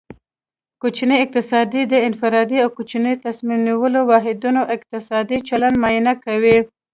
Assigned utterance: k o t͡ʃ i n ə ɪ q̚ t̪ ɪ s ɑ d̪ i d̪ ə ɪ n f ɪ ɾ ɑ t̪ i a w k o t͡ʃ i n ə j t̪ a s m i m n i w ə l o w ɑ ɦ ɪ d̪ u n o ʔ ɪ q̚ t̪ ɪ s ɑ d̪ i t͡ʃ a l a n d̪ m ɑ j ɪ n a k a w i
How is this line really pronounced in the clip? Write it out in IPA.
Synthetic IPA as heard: k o t͡ʃ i n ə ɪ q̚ t̪ ɪ s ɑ d̪ i d̪ ə ɪ n f ɪ ɾ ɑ d̪ i a w k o t͡ʃ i n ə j t̪ a s m i m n i w ə l o w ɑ ɦ ɪ d̪ u n o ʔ ɪ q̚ t̪ ɪ s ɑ d̪ i t͡ʃ a l a n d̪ m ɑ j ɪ n a k a w i